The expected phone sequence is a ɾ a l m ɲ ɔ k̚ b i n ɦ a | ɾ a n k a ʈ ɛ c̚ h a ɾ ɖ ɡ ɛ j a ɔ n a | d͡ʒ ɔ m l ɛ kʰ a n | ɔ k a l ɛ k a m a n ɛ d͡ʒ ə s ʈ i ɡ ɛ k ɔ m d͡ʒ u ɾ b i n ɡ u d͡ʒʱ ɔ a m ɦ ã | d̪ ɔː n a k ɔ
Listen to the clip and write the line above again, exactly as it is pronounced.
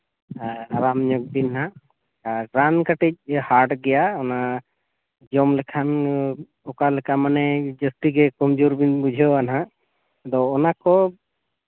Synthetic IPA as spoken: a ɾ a m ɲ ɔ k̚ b i n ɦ a | ɾ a n k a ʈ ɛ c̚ h a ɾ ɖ ɡ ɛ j a ɔ n a | d͡ʒ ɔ m l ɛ kʰ a n | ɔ k a l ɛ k a m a n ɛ d͡ʒ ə s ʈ i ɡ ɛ k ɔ m d͡ʒ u ɾ b i n b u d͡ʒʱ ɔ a n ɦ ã | d̪ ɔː n a k ɔ